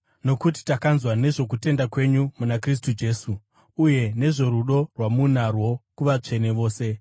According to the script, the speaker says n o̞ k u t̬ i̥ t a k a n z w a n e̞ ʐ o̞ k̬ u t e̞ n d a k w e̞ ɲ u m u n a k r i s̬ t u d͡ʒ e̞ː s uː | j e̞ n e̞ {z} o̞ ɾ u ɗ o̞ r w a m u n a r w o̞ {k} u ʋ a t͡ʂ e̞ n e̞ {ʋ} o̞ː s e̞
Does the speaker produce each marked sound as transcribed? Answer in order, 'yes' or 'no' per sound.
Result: no, yes, yes

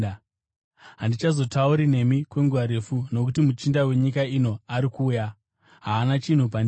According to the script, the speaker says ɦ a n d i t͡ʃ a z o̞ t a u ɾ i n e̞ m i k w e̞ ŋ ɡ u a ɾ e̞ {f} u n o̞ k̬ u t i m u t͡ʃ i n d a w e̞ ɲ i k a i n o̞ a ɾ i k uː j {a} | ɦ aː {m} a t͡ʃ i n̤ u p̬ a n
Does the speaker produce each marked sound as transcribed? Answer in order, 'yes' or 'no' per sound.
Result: yes, yes, no

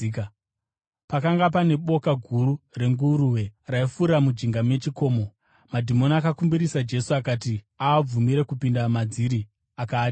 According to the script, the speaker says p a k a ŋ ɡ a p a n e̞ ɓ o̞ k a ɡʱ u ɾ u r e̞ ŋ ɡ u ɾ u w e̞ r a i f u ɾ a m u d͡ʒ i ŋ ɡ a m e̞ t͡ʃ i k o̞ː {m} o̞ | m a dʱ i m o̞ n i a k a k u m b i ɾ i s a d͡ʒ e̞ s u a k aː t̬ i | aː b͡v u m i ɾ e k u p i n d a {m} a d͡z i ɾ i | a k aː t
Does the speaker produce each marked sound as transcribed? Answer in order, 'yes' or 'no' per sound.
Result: yes, yes

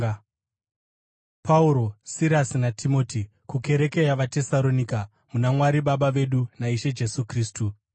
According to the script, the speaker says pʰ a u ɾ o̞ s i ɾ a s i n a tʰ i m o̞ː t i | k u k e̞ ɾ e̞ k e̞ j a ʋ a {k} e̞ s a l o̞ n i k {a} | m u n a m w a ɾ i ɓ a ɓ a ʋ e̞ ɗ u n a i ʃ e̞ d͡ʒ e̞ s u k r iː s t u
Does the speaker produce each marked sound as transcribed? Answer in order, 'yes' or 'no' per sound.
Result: no, yes

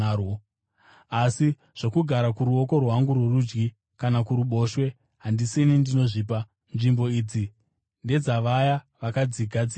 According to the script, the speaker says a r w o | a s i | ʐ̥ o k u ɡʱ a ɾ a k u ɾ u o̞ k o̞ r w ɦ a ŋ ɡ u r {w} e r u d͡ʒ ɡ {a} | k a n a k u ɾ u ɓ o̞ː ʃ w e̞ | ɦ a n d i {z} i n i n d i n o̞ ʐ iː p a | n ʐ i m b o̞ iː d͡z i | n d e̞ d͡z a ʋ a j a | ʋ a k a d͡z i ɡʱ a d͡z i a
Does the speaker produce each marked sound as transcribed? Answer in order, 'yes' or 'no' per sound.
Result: yes, no, no

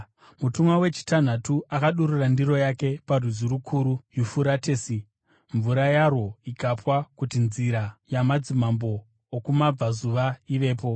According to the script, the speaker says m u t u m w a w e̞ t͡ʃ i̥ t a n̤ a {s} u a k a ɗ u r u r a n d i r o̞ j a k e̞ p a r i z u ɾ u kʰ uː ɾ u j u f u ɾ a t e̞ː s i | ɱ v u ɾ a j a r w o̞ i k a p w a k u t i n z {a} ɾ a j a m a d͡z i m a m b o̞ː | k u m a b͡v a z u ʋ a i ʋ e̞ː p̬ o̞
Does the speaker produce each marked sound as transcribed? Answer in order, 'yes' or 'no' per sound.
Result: no, no

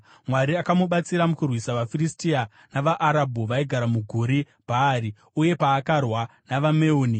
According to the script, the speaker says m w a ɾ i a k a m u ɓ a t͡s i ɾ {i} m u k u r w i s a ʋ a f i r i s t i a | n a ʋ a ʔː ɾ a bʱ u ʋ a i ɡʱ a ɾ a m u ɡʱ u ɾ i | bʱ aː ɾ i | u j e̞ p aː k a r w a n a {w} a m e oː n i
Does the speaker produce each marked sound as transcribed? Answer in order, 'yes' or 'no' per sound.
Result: no, no

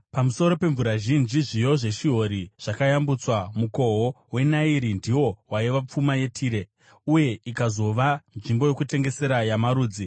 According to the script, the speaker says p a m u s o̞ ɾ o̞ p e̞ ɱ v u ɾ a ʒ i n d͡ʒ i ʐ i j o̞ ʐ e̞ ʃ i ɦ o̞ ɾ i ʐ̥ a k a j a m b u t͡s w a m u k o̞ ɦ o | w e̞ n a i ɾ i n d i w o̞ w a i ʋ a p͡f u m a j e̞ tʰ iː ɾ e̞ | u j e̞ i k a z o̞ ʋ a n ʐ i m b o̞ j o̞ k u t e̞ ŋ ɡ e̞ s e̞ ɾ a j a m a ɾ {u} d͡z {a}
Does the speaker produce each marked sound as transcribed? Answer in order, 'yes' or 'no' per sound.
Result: no, no

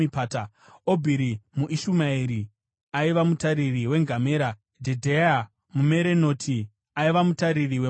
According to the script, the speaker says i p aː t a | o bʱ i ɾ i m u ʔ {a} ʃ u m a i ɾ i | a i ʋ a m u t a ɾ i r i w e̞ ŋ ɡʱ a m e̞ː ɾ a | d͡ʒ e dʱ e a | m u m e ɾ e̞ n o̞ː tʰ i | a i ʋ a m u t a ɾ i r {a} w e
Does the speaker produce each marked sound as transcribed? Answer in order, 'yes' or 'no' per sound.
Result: no, no

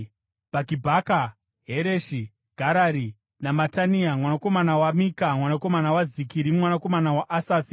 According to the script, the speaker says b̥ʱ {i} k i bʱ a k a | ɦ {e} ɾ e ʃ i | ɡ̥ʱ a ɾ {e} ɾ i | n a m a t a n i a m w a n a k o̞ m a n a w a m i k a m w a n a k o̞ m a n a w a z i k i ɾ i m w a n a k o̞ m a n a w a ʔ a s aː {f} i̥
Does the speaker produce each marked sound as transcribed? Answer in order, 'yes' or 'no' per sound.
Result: no, yes, no, yes

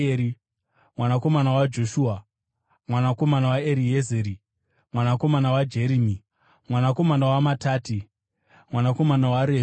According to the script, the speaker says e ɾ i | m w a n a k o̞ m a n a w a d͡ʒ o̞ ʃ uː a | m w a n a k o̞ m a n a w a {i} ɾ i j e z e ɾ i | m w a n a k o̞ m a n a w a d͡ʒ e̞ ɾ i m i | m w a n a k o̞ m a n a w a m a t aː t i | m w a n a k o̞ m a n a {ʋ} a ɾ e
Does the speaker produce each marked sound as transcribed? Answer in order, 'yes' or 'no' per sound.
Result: no, no

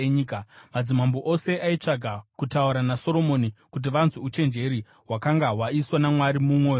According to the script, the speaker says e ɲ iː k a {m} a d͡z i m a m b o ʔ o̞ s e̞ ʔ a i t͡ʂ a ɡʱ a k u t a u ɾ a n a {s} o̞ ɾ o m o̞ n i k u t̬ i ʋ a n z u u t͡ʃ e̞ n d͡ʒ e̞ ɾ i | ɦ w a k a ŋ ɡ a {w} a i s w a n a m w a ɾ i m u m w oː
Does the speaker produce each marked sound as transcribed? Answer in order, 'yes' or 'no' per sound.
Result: yes, yes, yes

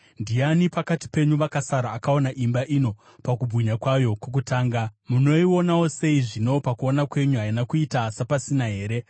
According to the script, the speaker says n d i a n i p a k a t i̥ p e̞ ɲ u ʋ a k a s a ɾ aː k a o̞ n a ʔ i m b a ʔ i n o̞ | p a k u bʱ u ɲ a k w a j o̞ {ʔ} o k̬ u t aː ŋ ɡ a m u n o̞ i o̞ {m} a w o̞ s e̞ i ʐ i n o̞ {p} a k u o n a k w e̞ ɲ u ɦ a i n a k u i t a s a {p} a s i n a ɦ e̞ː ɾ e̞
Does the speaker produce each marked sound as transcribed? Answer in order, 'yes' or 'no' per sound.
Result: no, no, yes, yes

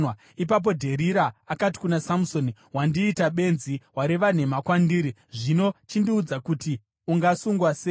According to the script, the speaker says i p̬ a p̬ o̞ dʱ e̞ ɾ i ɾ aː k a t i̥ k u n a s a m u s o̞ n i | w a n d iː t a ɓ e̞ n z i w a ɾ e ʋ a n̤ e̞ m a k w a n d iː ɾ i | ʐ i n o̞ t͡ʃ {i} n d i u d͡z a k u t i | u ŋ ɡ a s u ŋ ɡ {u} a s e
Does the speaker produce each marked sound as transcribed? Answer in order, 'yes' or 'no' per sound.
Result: yes, no

